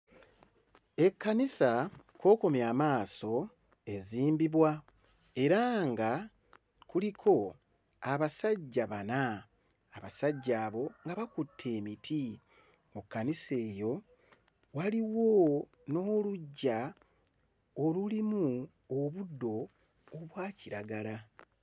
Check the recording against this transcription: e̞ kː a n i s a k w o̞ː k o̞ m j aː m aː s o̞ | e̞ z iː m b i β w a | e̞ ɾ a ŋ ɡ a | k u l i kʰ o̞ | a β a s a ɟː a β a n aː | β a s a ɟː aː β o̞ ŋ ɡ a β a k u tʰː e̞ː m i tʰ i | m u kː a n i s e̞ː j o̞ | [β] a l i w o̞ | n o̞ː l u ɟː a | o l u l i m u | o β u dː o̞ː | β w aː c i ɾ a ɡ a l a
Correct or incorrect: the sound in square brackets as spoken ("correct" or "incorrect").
incorrect